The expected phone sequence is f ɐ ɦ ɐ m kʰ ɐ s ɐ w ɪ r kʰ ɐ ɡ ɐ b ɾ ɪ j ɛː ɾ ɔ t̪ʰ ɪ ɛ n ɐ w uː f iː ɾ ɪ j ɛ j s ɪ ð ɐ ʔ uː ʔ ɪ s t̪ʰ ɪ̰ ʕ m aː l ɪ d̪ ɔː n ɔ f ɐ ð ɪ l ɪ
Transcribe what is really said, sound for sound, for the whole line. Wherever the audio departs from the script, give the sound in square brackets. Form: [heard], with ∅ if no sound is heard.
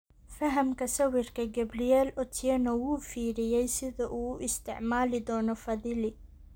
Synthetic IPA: f ɐ ɦ ɐ m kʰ ɐ s ɐ w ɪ r kʰ ɐ ɡ ɐ b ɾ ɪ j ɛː [l] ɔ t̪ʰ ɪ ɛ n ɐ w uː f iː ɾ ɪ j ɛ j s ɪ ð ɐ ʔ uː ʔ ɪ s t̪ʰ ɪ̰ ʕ m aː l ɪ d̪ ɔː n ɔ f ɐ ð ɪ l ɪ